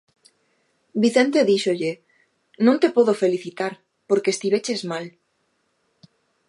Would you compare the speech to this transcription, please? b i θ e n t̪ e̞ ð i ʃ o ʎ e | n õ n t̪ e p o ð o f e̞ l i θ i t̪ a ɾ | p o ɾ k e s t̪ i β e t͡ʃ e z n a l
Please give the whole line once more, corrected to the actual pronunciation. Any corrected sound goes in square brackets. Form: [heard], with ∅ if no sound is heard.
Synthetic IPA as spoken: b i θ e n t̪ e̞ ð i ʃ o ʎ e | n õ n t̪ e p o ð o f e̞ l i θ i t̪ a ɾ | p o ɾ k e s t̪ i β e t͡ʃ e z [m] a l